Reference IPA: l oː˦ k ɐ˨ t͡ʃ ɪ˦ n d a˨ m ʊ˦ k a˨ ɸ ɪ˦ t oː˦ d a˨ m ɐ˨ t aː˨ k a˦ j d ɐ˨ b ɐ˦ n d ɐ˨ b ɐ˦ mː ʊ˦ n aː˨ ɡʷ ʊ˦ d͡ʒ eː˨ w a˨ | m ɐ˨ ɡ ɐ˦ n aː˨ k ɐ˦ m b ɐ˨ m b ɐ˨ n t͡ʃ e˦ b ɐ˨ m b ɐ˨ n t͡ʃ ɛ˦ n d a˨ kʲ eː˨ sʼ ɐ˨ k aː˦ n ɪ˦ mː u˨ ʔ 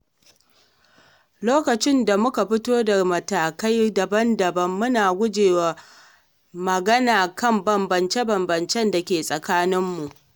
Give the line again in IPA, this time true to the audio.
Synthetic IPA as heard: l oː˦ k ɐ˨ t͡ʃ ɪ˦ n d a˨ m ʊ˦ k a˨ ɸ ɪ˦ t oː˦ d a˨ m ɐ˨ t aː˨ k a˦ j d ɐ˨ b ɐ˦ n d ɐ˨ b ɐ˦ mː ʊ˦ n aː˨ ɡʷ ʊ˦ d͡ʒ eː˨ w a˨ | m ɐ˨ ɡ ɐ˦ n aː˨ k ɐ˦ m b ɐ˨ m b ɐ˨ n t͡ʃ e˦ b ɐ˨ m b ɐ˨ n t͡ʃ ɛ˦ n d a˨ kʲ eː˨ sʼ ɐ˨ k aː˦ n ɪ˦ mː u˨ ʔ